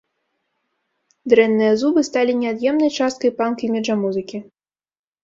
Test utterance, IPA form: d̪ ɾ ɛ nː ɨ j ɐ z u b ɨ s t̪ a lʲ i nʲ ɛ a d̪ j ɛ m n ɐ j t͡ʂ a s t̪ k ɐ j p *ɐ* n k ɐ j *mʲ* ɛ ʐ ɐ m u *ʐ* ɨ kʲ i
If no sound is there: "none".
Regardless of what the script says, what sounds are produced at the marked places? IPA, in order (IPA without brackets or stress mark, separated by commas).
a, mʲ, z